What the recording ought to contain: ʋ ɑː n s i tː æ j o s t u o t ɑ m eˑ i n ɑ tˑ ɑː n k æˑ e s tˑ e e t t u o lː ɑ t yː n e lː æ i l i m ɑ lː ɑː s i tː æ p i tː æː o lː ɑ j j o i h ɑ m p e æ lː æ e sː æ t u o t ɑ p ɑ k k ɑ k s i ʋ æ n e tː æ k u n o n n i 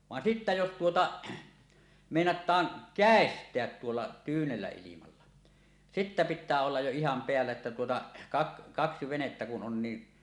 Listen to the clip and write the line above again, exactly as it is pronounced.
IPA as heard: ʋ ɑ n s i tː æ j o s t u o t ɑ m eˑ i n ɑ tˑ ɑː n k æˑ e s tˑ e æ t t u o lː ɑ t yː n e lː æ i l i m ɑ lː ɑ s i tː æ p i tː æː o lː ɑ j j o i h ɑ m p e æ lː æ e tː æ t u o t ɑ k ɑ k k ɑ k s i ʋ e n e tː æ k u n o n n i